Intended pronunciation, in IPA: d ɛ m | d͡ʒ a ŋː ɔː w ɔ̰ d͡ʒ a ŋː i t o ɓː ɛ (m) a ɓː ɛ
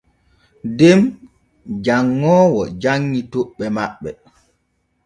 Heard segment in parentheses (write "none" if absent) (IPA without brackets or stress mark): m